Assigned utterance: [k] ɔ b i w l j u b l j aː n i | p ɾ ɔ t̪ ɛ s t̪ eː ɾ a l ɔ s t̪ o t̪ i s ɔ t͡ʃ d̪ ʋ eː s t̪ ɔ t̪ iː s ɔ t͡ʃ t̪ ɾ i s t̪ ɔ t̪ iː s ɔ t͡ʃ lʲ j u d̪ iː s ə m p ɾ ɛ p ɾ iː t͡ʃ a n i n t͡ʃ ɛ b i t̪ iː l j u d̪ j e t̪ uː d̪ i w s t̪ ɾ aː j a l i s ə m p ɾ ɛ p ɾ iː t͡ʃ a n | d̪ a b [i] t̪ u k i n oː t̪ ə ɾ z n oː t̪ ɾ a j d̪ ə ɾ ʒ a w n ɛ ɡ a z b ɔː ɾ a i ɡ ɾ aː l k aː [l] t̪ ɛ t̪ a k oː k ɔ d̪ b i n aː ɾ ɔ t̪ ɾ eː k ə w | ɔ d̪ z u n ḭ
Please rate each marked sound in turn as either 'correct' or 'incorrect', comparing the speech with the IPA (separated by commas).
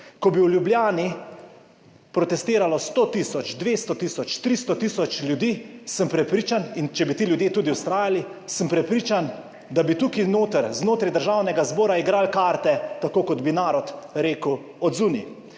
correct, correct, incorrect